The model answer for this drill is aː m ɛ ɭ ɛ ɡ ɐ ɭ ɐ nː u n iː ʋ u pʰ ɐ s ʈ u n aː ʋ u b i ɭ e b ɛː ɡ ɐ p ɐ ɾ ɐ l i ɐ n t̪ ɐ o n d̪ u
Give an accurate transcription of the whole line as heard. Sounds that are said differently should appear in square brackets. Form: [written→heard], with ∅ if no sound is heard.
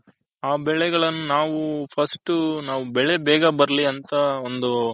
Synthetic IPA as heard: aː [m→b] ɛ ɭ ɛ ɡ ɐ ɭ ɐ nː u n [iː→aː] ʋ u pʰ ɐ s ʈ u n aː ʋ u b [i→ɛ] ɭ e b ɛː ɡ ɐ [p→b] ɐ ɾ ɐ l i ɐ n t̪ ɐ o n d̪ u